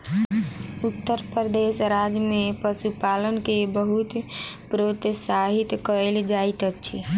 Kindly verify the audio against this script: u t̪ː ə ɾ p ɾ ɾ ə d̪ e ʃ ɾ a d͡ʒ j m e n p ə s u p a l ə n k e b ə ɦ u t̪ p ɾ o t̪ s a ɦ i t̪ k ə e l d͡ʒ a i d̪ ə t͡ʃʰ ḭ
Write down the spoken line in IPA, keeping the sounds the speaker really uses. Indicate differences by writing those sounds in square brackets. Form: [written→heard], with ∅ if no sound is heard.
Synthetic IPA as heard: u t̪ː ə ɾ p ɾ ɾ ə d̪ e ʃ ɾ a d͡ʒ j m e [n→∅] p ə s u p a l ə n k e b ə ɦ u t̪ p ɾ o t̪ s a ɦ i t̪ k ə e l d͡ʒ a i [d̪→t̪] ə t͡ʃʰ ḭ